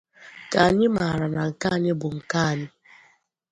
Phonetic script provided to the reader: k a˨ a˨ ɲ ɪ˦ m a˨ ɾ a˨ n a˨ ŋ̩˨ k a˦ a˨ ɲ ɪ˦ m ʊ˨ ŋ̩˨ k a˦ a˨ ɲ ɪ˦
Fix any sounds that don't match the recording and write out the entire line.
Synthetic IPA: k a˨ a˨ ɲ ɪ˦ m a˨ ɾ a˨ n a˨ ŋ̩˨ k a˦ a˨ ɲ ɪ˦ b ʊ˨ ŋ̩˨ k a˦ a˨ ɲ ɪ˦

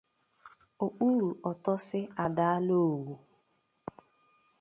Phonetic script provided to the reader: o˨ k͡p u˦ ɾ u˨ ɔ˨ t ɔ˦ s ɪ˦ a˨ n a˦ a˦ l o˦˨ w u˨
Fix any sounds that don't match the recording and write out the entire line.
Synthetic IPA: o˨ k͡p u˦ ɾ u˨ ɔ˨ t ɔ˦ s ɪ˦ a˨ d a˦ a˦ l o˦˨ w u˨

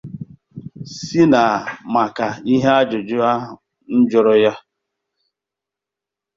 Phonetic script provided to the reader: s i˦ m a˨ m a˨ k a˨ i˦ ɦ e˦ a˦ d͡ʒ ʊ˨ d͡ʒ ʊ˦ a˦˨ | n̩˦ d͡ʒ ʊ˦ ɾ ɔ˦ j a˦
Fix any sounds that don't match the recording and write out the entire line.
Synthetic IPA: s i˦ n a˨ m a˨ k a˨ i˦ ɦ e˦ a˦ d͡ʒ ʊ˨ d͡ʒ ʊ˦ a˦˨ | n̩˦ d͡ʒ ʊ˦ ɾ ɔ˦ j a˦

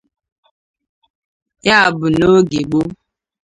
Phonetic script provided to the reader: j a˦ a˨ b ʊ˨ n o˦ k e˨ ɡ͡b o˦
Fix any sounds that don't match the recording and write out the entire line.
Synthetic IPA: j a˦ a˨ b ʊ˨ n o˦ ɡ e˨ ɡ͡b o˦

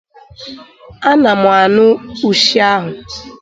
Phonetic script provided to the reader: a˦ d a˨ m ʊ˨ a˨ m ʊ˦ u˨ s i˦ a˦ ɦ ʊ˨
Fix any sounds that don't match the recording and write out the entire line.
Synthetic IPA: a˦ n a˨ m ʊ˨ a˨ n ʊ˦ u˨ ʃ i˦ a˦ ɦ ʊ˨

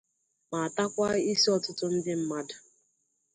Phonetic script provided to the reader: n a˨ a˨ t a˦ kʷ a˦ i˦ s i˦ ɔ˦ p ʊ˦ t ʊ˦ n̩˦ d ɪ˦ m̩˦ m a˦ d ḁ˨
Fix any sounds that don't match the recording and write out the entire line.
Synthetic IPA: m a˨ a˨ t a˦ kʷ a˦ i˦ s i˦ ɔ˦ t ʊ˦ t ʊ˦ n̩˦ d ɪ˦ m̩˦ m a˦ d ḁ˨

